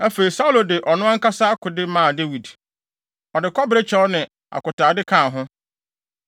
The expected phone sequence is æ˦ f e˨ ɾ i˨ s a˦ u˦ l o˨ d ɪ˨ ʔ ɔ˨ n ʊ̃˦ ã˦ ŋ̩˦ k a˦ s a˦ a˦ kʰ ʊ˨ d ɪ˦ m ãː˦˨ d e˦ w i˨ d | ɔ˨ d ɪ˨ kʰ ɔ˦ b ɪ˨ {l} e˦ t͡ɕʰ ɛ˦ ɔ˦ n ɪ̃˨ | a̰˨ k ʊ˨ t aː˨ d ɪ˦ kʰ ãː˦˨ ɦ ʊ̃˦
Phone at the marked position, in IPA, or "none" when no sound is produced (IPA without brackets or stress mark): ɾ